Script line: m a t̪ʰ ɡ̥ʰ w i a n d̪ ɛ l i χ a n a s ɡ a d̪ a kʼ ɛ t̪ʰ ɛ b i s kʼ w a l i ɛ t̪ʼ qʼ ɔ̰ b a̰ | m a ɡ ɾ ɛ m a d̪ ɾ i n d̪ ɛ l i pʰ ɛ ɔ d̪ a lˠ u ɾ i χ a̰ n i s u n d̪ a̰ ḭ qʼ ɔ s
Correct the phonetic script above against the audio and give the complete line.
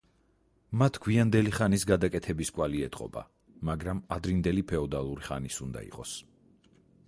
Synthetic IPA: m a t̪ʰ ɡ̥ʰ w i a n d̪ ɛ l i χ a n i s ɡ a d̪ a kʼ ɛ t̪ʰ ɛ b i s kʼ w a l i ɛ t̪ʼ qʼ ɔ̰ b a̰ | m a ɡ ɾ a m a d̪ ɾ i n d̪ ɛ l i pʰ ɛ ɔ d̪ a lˠ u ɾ i χ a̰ n i s u n d̪ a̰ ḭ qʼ ɔ s